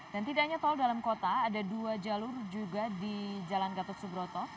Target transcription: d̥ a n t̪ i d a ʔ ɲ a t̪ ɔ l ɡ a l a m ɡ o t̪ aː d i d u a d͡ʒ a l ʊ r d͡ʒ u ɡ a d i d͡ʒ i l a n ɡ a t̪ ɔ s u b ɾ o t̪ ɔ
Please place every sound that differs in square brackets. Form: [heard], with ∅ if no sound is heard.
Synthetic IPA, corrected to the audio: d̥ a n t̪ i d a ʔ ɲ a t̪ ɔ l [d] a l a m [k] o t̪ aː d [a] d u a d͡ʒ a l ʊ r d͡ʒ u ɡ a d i d͡ʒ [a] l a n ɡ a t̪ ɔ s u b ɾ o t̪ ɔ